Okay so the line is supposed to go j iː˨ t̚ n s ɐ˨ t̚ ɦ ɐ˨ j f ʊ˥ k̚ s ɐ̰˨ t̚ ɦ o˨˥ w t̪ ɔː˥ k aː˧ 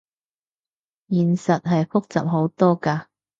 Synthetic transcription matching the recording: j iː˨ n s ɐ˨ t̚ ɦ ɐ˨ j f ʊ˥ k̚ t͡s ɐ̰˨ p̚ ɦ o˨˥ w t̪ ɔː˥ k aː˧